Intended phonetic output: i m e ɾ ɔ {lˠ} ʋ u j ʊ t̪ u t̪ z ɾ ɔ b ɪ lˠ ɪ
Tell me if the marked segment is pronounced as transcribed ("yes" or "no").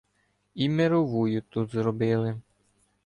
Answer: no